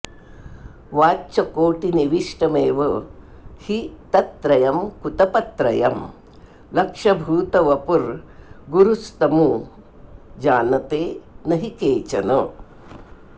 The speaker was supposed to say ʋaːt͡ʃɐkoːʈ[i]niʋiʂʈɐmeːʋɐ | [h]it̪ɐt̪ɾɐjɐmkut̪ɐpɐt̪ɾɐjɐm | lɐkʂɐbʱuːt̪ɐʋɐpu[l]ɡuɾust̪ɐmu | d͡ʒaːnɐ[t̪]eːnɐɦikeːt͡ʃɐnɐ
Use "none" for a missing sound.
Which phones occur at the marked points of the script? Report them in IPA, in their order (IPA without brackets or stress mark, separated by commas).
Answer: i, h, ɾ, t̪